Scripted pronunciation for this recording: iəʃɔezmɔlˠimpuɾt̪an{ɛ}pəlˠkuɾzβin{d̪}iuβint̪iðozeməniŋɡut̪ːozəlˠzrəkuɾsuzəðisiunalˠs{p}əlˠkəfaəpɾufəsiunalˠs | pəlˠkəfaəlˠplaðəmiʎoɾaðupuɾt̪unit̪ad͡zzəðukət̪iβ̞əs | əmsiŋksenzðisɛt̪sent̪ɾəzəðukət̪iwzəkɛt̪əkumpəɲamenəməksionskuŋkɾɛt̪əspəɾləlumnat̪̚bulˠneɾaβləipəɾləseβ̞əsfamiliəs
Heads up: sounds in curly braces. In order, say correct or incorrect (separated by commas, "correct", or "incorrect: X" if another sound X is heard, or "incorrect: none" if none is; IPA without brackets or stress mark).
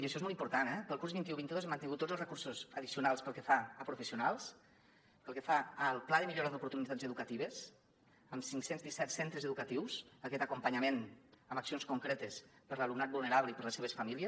correct, incorrect: t̪, correct